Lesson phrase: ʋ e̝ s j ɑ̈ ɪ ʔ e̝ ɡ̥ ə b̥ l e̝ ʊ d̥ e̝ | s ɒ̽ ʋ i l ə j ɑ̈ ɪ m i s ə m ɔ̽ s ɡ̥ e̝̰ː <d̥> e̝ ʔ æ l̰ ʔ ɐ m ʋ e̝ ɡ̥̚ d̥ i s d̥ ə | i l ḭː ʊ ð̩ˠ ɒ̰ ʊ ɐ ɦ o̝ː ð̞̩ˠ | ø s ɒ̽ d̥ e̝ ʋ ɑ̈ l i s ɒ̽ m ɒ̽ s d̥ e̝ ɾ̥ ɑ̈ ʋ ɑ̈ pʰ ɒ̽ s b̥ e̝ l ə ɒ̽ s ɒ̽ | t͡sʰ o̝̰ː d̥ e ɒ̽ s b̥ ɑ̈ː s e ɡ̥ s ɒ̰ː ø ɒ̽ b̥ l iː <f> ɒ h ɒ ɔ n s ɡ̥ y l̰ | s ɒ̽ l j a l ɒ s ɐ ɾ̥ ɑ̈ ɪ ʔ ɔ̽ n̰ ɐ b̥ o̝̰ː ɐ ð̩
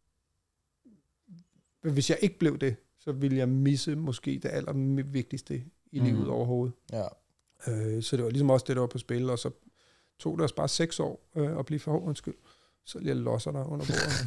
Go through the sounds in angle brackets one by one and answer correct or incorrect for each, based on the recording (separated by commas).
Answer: correct, correct